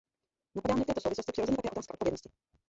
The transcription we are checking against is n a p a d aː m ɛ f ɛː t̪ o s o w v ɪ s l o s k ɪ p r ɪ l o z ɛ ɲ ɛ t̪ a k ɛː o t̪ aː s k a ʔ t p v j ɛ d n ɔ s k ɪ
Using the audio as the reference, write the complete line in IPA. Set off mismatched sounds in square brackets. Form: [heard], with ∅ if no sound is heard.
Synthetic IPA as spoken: n a p a d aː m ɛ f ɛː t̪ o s o w v ɪ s l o s [c] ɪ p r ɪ [ɾ] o z ɛ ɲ ɛ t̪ a k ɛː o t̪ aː s k a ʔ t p v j ɛ d n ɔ s [c] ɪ